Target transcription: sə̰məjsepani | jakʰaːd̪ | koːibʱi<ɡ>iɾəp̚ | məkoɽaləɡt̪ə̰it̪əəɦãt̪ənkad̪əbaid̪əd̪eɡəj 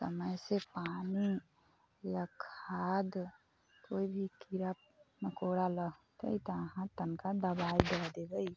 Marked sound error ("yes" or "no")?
yes